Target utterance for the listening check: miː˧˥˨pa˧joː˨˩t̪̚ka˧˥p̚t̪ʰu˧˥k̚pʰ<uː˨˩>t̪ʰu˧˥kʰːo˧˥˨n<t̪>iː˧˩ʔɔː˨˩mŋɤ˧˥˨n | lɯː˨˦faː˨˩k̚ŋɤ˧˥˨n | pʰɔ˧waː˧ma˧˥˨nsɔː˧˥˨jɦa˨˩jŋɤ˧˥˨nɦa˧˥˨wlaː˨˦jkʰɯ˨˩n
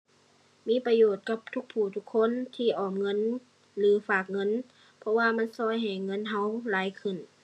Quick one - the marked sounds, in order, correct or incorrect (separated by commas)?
correct, incorrect